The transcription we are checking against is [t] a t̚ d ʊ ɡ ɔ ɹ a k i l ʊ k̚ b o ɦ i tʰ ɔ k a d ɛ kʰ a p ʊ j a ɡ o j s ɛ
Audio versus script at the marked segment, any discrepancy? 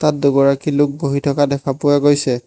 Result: no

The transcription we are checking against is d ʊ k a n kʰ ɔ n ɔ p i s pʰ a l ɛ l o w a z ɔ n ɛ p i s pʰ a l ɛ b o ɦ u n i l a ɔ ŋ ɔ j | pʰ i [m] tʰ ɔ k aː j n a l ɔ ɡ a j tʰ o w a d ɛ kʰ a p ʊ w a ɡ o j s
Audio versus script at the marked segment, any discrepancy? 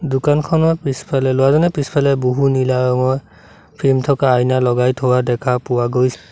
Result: no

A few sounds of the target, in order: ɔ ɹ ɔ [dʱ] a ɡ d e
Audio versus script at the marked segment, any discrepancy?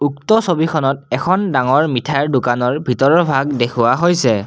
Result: yes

